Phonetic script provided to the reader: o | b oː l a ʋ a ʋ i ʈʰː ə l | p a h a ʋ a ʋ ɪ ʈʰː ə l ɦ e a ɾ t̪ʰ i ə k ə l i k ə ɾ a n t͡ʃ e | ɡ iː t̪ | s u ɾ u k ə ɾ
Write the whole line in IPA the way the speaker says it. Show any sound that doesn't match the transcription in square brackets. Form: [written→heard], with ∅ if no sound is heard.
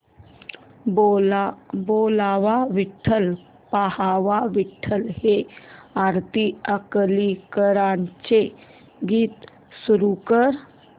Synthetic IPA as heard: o | b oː l a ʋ a ʋ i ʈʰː ə l | p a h a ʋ a ʋ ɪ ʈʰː ə l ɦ e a ɾ [t̪ʰ→t̪] i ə k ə l i k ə ɾ a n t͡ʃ e | ɡ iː t̪ | s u ɾ u k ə ɾ